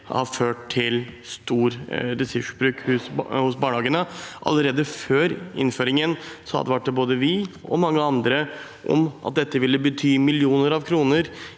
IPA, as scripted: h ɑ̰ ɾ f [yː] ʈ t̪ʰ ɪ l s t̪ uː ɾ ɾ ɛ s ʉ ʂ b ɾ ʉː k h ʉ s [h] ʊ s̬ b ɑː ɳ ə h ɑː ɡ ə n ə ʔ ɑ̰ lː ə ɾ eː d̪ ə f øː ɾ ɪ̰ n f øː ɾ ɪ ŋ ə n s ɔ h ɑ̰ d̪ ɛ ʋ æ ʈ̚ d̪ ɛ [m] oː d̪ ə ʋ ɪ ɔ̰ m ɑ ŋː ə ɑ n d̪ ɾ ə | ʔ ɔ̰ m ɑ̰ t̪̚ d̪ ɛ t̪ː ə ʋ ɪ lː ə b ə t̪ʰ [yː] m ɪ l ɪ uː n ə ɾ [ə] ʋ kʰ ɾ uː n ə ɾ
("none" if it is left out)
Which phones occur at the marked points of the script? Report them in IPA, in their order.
øː, h, b, yː, ɑ

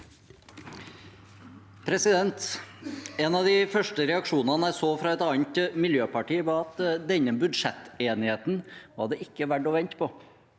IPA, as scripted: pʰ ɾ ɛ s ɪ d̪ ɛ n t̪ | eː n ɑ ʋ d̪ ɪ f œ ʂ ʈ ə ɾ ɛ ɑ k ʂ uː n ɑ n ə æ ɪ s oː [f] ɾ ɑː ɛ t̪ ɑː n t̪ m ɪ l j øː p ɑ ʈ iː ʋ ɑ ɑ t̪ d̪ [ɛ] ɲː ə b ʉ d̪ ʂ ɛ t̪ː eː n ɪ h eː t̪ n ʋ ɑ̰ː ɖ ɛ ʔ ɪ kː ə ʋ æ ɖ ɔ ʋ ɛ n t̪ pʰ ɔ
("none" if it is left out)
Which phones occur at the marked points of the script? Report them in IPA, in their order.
f, ɛ

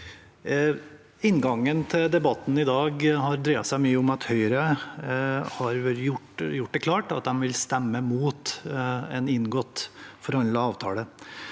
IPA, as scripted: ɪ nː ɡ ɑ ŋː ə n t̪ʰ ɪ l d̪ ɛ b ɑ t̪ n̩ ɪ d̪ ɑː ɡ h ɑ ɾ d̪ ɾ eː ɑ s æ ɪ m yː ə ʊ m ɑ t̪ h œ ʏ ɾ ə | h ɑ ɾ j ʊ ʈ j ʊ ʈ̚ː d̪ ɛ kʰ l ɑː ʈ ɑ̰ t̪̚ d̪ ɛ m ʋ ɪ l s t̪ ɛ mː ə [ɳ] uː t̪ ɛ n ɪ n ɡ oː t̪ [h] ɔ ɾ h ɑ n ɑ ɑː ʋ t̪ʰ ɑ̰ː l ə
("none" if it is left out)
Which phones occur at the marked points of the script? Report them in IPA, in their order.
m, f

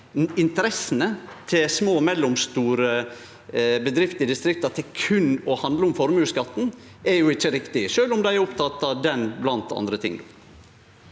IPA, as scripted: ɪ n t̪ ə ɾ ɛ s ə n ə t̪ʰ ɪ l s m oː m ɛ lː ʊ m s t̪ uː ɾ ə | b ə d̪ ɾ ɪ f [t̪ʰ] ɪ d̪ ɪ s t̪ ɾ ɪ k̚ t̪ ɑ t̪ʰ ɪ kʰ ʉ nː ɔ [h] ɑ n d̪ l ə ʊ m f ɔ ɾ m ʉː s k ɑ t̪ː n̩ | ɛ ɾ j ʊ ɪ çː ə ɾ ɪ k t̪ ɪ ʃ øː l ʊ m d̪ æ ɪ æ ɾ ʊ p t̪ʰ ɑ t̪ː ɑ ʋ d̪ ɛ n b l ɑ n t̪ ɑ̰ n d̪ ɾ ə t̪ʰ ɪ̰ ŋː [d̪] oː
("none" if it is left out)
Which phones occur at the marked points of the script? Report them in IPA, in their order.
t̪, h, d̪

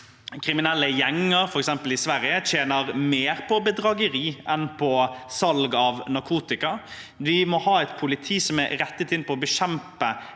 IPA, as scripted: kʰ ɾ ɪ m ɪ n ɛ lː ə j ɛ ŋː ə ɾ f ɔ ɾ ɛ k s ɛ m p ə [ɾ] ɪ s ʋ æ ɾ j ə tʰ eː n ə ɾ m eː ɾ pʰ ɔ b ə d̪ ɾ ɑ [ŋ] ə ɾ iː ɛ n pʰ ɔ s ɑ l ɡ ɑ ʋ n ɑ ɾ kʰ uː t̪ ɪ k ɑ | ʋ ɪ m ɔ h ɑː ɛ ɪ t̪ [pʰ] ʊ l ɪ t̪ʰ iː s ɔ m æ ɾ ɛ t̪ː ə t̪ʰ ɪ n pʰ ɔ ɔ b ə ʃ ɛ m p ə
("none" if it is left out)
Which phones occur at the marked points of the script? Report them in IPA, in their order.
l, ɡ, pʰ

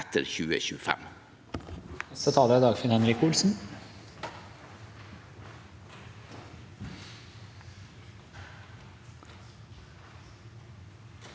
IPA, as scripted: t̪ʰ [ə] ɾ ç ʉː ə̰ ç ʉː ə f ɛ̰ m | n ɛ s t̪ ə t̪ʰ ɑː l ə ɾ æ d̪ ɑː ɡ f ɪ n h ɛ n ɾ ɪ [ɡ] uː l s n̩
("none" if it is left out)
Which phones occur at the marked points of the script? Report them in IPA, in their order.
ə, k

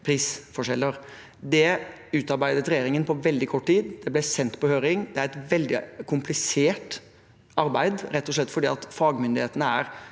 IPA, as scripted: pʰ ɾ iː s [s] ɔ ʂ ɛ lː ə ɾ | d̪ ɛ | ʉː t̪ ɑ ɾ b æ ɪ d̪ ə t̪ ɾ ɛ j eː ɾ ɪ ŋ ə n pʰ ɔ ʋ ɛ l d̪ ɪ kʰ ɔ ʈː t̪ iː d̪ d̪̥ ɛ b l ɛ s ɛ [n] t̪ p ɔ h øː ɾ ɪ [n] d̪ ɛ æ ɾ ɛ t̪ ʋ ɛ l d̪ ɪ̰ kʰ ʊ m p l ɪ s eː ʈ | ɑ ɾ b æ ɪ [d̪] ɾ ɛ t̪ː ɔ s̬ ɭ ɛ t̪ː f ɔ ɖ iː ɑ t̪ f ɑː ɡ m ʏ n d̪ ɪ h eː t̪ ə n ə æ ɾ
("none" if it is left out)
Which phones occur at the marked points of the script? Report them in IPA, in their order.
f, n, ŋ, d̪

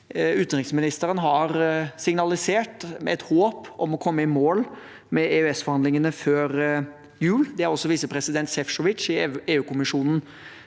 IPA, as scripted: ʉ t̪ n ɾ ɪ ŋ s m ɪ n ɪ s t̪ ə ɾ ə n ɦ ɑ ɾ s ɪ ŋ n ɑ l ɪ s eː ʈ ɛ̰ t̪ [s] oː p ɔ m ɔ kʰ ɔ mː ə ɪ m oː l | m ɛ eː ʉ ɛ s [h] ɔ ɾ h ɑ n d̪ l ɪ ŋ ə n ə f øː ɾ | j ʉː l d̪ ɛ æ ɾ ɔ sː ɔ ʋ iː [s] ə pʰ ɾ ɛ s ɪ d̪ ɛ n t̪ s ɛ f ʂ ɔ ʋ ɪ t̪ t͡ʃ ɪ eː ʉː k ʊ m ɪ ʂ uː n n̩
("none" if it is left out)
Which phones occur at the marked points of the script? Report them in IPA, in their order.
h, f, s

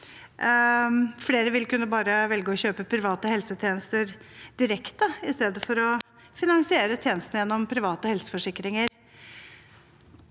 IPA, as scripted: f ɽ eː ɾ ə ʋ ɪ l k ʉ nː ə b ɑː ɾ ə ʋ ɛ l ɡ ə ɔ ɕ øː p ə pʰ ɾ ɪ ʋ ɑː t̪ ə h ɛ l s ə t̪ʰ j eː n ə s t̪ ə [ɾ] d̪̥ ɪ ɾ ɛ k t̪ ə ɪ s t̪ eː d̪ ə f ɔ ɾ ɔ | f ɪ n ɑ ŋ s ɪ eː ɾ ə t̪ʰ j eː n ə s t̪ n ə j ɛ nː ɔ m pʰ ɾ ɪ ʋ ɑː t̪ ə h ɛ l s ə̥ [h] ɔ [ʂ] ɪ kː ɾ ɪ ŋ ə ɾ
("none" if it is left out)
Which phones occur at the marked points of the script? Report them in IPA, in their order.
ɾ, f, ʂ

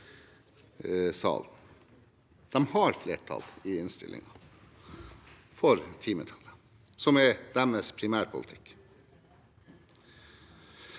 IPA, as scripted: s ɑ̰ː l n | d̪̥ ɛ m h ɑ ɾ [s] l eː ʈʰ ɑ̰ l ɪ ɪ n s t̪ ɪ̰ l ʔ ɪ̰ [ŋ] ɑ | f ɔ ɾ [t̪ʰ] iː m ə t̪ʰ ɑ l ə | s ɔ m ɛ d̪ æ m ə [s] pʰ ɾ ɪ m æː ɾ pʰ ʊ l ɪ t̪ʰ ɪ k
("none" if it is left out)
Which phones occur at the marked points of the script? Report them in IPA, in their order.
f, ŋ, t̪ʰ, s

